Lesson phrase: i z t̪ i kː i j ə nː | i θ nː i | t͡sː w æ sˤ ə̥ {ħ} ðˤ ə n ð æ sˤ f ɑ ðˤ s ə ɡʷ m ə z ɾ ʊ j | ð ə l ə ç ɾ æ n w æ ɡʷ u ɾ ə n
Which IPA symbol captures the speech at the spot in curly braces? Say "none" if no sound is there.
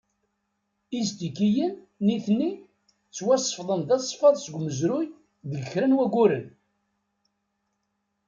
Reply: f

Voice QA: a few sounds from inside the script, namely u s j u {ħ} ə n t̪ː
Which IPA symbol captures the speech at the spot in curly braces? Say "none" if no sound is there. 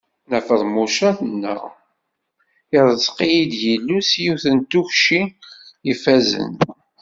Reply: θ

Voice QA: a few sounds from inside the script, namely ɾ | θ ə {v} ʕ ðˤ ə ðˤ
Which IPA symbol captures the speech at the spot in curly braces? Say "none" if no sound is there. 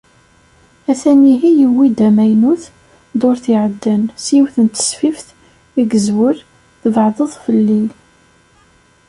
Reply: v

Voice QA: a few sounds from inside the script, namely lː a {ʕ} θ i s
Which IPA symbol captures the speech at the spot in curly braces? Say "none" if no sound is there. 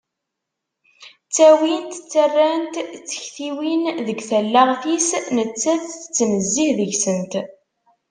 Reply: ʁ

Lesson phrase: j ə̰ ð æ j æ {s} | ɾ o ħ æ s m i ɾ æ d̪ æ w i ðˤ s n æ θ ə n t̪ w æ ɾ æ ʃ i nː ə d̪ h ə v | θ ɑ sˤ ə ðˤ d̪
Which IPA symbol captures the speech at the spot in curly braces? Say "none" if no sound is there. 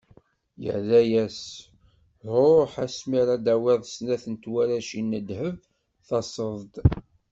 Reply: s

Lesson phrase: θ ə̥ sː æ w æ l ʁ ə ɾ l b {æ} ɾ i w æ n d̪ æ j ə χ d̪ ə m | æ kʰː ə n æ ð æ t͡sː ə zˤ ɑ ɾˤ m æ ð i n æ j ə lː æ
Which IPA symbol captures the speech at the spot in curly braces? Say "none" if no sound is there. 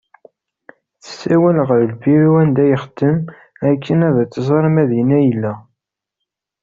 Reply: i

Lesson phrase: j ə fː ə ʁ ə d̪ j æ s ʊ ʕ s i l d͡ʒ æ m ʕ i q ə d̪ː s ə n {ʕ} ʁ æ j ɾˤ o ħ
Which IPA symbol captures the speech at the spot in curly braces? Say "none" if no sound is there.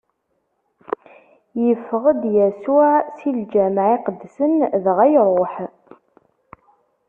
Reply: ð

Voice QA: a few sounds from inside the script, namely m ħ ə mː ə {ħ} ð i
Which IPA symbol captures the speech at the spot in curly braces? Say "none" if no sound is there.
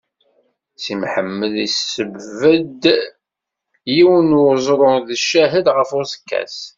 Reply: none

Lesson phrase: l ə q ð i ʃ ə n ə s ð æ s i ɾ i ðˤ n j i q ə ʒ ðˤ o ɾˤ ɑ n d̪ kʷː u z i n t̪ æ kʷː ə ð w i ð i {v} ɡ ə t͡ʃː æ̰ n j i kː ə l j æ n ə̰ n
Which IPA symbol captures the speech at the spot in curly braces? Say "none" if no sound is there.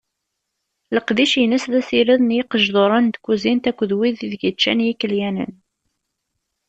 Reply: ð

